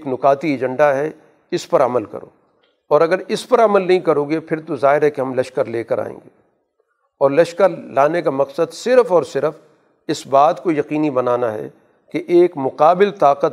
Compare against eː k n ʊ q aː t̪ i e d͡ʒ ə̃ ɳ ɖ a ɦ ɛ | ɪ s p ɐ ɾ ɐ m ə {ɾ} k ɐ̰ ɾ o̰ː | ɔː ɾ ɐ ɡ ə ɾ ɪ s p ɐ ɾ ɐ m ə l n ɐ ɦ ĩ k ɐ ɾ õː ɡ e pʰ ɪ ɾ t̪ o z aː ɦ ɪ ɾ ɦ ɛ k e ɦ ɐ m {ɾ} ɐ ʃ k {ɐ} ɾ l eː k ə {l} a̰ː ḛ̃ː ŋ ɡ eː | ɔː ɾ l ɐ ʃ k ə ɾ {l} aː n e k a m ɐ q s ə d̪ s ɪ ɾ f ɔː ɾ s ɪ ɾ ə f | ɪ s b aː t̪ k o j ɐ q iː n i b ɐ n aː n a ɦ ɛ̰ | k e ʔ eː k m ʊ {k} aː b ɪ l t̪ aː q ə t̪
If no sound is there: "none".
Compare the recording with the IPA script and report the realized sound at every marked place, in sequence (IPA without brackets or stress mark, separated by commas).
l, l, ə, ɾ, l, q